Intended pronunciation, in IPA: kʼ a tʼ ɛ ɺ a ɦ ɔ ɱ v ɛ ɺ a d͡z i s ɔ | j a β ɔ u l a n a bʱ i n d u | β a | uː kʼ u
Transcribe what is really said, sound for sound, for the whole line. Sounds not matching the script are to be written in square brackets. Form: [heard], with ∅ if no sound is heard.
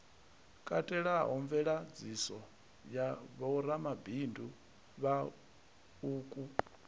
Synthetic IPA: kʼ a tʼ ɛ ɺ a ɦ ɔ ɱ v ɛ ɺ a d͡z i s ɔ | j a β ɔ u [ɾ] a [m] a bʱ i n d u | β a | uː kʼ u